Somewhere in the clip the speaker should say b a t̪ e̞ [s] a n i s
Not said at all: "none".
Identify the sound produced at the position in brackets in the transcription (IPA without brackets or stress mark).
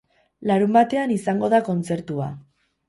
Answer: none